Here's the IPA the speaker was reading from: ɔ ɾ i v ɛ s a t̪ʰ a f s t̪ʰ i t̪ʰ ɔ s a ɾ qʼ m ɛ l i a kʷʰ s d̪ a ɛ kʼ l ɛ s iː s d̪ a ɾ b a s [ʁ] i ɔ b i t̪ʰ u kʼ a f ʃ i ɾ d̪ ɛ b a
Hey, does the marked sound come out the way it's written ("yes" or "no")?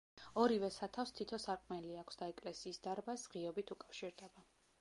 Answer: yes